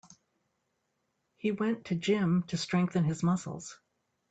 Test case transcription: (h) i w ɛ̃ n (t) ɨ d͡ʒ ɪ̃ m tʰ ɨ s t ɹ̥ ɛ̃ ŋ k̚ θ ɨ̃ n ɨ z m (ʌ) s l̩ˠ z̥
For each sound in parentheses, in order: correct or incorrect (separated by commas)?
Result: correct, incorrect, correct